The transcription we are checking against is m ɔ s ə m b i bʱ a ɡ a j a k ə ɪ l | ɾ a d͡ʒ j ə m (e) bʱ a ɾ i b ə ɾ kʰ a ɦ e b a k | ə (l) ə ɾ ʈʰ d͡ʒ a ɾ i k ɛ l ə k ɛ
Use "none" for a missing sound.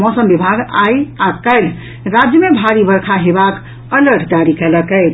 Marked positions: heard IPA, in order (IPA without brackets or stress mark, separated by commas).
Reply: e, l